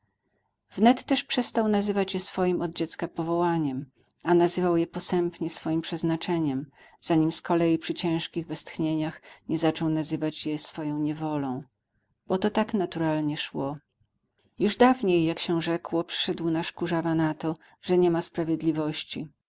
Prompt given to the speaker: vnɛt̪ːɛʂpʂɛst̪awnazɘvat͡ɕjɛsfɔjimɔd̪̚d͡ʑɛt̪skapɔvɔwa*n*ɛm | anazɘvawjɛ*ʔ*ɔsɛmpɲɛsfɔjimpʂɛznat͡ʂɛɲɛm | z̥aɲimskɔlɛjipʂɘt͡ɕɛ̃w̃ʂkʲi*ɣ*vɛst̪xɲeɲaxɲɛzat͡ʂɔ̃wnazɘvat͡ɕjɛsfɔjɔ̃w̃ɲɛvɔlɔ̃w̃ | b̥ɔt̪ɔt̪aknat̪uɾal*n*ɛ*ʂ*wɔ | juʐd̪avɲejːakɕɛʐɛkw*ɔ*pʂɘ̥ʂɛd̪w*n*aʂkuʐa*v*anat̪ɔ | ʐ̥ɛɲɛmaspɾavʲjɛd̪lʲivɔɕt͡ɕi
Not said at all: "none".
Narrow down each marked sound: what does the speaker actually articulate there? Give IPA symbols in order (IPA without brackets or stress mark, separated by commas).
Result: ɲ, p, ɣ, ɲ, ʂ, ɔ, n, v